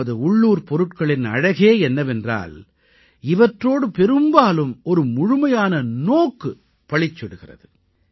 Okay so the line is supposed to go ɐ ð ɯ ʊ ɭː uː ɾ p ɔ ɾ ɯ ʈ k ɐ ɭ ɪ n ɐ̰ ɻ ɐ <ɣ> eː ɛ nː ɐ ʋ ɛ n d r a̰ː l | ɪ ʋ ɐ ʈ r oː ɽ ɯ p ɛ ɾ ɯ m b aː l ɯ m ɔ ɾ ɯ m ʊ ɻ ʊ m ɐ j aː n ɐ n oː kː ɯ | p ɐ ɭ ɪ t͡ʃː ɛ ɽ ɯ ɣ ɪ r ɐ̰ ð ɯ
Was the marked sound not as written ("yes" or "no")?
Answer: no